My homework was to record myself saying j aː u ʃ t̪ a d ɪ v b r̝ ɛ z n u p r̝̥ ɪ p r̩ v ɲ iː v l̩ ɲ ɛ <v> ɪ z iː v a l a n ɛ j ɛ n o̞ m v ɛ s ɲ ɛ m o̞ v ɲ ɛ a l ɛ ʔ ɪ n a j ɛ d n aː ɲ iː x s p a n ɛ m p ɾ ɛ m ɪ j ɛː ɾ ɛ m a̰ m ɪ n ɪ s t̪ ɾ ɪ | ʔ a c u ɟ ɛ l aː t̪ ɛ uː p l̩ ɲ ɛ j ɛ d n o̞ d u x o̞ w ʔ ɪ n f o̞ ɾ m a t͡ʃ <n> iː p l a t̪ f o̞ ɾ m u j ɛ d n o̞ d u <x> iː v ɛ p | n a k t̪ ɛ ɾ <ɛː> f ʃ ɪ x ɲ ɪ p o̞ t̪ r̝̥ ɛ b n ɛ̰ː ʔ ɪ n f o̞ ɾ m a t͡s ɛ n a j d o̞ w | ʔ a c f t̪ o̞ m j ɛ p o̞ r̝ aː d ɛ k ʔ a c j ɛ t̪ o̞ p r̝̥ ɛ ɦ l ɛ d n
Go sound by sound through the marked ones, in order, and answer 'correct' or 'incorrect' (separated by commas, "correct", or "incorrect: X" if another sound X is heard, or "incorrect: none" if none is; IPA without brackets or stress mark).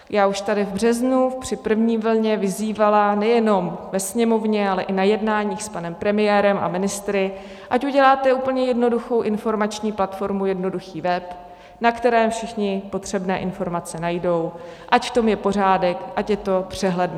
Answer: correct, incorrect: ɲ, correct, correct